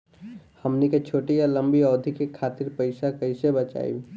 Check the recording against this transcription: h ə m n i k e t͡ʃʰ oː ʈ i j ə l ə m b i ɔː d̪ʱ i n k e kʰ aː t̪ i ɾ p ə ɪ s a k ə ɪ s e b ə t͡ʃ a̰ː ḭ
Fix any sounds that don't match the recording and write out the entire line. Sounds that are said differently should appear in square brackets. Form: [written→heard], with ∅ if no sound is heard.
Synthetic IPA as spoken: h ə m n i k e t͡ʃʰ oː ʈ i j [ə→a] l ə m b i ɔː d̪ʱ i [n→∅] k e kʰ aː t̪ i ɾ p ə ɪ s a k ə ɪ s e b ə t͡ʃ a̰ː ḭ